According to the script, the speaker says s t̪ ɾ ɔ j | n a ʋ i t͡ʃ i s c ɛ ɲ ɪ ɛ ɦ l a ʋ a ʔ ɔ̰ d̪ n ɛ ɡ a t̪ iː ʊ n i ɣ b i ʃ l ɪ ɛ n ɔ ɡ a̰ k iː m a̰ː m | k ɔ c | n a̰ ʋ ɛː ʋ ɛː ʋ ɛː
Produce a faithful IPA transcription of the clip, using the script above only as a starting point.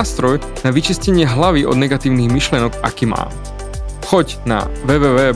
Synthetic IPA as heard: s t̪ ɾ ɔ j | n a ʋ i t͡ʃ i s c ɛ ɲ ɪ ɛ ɦ l a ʋ i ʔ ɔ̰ d̪ n ɛ ɡ a t̪ iː ʊ n i ɣ m i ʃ l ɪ ɛ n ɔ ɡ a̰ k iː m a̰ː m | x ɔ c | n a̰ ʋ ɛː ʋ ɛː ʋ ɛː